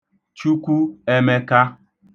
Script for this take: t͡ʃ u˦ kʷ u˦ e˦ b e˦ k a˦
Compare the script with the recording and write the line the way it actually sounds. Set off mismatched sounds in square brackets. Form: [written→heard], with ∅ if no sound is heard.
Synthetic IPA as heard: t͡ʃ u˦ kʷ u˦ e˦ [b→m] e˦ k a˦